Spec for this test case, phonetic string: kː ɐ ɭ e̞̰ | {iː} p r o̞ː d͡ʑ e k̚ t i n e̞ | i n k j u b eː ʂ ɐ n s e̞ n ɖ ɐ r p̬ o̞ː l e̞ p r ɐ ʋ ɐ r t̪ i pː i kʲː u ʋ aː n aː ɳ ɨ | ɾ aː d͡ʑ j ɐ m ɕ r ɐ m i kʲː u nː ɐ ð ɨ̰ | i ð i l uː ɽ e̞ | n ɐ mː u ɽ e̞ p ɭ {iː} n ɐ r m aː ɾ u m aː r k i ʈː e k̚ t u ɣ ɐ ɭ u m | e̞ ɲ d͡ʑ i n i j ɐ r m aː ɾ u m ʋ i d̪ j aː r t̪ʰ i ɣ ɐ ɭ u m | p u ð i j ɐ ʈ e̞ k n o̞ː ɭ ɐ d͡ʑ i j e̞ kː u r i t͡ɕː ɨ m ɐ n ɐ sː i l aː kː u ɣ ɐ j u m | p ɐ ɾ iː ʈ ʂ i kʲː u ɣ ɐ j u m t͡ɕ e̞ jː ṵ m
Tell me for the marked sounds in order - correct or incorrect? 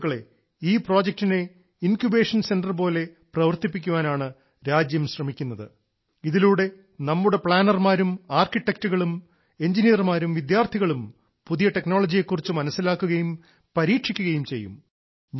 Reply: correct, incorrect: aː

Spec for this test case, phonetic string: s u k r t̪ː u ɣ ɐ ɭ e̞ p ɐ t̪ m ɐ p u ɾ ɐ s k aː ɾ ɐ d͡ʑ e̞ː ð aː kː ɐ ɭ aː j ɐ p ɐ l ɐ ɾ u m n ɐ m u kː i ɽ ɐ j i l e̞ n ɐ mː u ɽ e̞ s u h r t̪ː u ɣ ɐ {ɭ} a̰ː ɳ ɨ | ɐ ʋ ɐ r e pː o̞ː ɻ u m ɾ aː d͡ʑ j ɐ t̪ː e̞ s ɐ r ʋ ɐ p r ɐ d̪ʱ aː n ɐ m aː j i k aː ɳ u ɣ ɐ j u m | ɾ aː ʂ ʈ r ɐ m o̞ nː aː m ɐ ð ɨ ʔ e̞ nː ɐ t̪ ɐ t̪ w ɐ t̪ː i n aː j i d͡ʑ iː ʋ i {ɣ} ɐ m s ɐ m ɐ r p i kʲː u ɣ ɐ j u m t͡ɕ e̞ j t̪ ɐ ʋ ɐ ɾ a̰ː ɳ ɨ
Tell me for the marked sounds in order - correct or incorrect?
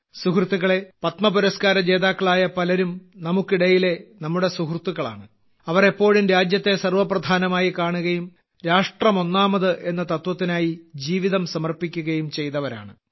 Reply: correct, incorrect: ð

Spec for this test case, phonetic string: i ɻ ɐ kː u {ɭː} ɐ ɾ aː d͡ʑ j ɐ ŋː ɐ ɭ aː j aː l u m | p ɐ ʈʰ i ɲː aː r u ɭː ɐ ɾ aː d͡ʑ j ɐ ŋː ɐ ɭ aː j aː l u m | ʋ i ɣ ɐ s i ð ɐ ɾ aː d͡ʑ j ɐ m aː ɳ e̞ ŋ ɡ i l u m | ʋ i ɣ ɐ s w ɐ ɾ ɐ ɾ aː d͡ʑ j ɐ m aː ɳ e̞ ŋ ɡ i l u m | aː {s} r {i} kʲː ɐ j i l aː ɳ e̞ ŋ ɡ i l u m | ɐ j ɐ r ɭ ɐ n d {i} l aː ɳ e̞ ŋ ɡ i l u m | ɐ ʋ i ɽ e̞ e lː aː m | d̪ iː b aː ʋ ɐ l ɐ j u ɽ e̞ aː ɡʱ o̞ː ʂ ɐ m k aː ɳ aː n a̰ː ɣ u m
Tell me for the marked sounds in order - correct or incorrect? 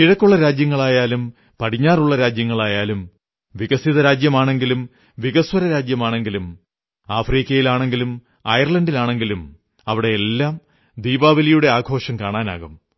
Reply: correct, incorrect: f, incorrect: iː, correct

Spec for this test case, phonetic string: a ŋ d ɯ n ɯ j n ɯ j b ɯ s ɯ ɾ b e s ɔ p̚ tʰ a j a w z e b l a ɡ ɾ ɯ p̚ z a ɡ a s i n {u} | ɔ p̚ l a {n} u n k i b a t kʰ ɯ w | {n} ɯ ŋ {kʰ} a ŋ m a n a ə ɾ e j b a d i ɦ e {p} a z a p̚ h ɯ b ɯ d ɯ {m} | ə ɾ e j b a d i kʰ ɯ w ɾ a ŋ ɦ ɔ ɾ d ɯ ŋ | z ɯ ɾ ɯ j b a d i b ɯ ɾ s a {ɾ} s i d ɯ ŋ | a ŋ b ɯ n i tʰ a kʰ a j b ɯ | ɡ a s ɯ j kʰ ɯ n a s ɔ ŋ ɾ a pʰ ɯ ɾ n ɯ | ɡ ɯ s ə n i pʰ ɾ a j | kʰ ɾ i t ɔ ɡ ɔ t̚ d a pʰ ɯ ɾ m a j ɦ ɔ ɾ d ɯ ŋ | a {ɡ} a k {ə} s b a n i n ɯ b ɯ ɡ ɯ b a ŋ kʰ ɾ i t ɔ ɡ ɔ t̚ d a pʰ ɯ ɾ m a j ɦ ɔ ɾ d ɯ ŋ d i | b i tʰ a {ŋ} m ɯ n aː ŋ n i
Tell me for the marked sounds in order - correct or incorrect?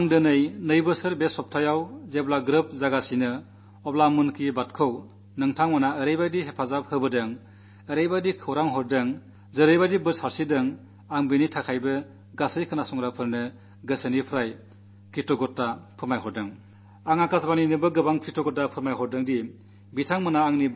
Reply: incorrect: ɯ, incorrect: m, correct, incorrect: tʰ, incorrect: pʰ, incorrect: ŋ, correct, incorrect: ŋ, incorrect: a, correct

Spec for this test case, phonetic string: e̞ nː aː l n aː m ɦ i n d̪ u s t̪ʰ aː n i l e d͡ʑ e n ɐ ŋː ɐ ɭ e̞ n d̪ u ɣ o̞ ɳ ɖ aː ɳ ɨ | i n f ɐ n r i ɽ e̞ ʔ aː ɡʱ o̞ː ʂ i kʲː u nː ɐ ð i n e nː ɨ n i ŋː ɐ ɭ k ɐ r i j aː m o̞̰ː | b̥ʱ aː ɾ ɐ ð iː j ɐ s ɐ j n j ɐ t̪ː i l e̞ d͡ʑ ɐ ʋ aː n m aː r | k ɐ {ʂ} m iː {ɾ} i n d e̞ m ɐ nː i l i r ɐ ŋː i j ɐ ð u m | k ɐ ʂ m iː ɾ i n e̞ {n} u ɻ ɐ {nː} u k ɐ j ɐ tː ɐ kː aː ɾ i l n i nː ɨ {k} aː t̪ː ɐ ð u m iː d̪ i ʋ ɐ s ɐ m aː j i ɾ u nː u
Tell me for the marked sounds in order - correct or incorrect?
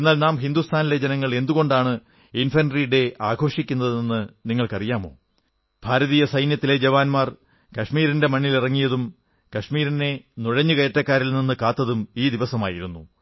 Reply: correct, correct, correct, incorrect: ɲː, correct

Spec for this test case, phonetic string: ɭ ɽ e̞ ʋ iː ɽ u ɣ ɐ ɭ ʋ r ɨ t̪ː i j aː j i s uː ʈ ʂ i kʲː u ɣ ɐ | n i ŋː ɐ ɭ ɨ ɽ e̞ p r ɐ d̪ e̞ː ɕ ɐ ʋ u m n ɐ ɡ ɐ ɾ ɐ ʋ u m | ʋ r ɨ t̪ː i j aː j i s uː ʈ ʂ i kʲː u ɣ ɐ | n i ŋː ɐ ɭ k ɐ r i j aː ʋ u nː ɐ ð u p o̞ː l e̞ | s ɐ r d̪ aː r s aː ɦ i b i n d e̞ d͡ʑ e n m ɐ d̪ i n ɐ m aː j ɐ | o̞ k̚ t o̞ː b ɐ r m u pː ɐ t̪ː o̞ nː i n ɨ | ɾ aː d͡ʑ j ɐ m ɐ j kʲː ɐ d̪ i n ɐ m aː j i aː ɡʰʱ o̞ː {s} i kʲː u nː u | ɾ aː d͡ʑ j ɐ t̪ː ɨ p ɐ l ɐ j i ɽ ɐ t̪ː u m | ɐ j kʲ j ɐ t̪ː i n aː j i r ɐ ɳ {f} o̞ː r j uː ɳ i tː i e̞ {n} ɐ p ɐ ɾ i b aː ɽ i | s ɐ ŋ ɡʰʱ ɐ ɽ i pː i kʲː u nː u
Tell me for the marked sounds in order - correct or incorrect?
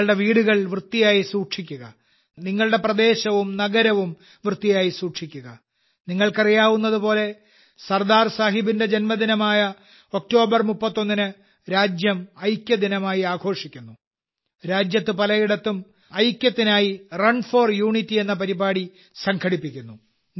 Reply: incorrect: ʂ, correct, incorrect: nː

